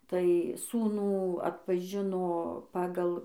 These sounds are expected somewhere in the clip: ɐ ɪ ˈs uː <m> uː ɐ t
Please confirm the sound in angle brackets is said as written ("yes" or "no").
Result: no